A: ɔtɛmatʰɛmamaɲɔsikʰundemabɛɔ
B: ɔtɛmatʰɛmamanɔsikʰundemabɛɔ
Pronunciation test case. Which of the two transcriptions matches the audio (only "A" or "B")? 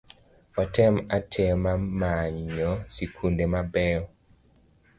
A